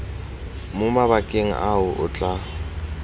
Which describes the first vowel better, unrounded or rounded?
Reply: rounded